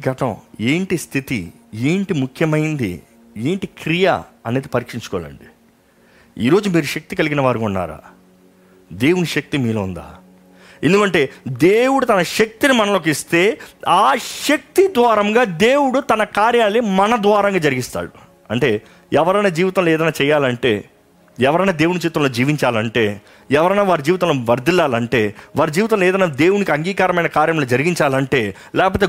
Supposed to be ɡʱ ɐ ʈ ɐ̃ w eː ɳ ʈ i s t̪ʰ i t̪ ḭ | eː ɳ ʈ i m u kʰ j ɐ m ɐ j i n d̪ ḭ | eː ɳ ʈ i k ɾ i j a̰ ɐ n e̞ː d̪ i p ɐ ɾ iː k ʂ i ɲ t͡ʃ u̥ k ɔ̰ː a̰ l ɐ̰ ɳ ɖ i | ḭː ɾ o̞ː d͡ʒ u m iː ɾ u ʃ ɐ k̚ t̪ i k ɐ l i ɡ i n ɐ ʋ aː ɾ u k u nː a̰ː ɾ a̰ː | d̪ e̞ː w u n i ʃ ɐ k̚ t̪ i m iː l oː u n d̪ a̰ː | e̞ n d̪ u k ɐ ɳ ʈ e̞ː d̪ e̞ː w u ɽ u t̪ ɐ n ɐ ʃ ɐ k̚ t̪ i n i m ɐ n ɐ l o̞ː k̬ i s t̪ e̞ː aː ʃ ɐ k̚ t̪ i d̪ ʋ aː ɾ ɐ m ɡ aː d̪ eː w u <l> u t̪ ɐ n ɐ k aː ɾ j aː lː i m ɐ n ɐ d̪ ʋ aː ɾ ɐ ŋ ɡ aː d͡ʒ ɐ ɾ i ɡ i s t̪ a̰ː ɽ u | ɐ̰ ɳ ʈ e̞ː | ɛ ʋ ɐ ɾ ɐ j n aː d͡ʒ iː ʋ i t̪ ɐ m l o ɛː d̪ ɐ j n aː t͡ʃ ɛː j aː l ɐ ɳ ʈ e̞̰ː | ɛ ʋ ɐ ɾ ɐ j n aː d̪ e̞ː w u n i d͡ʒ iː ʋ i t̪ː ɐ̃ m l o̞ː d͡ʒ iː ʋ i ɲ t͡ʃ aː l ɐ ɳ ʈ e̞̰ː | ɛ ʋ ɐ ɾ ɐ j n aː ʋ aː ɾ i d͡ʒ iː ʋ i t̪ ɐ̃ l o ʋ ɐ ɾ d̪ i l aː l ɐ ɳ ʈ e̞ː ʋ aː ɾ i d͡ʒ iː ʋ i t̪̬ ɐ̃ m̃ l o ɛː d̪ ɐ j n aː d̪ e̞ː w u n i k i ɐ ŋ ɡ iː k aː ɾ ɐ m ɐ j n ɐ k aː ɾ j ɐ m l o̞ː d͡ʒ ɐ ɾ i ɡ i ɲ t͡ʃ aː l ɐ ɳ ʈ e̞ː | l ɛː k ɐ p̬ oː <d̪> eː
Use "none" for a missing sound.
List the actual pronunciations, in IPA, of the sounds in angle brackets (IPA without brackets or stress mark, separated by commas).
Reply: ɽ, t̪